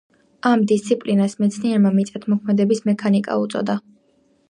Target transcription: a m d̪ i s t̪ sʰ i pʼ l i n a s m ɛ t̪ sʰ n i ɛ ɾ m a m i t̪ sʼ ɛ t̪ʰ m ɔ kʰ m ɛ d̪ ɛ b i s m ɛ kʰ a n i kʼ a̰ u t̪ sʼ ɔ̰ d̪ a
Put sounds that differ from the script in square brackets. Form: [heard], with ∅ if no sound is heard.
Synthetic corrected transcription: a m d̪ i s t̪ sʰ i pʼ l i n a s m ɛ t̪ sʰ n i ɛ ɾ m a m i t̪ sʼ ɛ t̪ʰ m ɔ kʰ m ɛ d̪ ɛ b i s m ɛ kʰ a n i kʼ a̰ u t̪ sʼ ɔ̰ d̪ a